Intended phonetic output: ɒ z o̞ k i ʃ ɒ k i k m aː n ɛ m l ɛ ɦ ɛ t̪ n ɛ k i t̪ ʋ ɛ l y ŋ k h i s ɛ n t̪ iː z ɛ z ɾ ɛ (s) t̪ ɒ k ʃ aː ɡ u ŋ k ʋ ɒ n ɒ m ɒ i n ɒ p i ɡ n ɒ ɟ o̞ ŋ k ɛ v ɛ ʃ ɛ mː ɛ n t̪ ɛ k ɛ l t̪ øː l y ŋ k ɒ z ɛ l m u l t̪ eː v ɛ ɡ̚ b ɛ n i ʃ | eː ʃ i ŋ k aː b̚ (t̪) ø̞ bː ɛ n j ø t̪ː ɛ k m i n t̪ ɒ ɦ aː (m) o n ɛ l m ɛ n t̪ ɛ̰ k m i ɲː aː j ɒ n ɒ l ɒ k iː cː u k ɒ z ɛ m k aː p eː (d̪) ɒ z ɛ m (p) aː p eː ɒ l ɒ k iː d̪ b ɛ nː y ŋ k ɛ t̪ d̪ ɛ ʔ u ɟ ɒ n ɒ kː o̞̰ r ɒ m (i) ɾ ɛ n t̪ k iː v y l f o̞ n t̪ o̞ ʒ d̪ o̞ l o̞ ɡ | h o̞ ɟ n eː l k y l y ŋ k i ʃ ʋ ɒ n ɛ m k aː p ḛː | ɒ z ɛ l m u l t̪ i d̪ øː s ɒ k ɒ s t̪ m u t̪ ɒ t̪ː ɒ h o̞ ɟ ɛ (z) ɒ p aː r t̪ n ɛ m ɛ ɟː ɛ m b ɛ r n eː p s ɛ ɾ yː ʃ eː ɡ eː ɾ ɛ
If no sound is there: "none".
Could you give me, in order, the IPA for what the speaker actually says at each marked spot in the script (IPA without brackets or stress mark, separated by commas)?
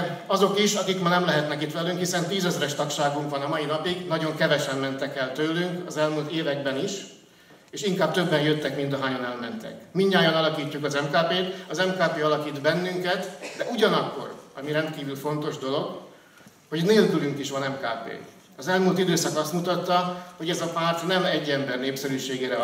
ʃ, t̪, ɲ, t̪, k, i, z